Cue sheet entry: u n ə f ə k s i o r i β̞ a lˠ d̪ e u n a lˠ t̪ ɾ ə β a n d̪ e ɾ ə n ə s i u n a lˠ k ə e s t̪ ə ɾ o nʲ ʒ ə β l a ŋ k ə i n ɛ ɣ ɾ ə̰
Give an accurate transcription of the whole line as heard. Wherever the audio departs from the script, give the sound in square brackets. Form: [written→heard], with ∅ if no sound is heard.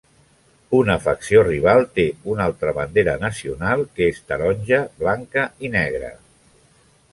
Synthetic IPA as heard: u n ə f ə k s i o r i β̞ a lˠ [d̪→t̪] e u n a lˠ t̪ ɾ ə β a n d̪ e ɾ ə n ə s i u n a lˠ k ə e s t̪ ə ɾ [o→ɔ] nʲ ʒ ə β l a ŋ k ə i n ɛ ɣ ɾ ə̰